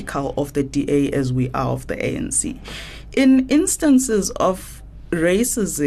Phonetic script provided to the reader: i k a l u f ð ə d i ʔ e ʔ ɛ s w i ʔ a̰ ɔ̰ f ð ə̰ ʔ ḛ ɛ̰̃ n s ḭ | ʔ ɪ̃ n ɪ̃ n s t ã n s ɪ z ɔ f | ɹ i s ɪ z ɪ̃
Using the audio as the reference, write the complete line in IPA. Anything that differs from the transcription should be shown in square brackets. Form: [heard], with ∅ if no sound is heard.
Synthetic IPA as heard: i [kʰ] a l [ɔ] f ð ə d i ʔ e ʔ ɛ [z] w i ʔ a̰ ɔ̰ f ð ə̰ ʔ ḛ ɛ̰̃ n s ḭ | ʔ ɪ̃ n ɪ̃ n s t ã n s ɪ z ɔ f | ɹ [e] s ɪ z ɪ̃